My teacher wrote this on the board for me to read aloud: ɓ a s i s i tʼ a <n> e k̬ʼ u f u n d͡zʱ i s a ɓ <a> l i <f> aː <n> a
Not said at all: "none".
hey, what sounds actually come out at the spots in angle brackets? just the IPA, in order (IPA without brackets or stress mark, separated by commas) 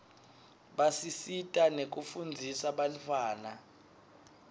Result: n, a, f, n